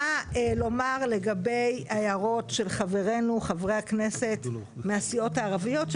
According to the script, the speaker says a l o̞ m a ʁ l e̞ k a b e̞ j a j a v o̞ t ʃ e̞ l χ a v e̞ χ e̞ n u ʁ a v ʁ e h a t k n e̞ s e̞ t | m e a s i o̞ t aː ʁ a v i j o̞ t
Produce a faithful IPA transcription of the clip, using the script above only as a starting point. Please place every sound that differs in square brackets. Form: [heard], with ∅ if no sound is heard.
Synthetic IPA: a l o̞ m a ʁ l e̞ [ɡ] a b e̞ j a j a [ʁ] o̞ t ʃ e̞ l χ a v e̞ [ʁ] e̞ n u [χ] a v ʁ e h a [∅] k n e̞ s e̞ t | m e a s i o̞ t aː ʁ a v i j o̞ t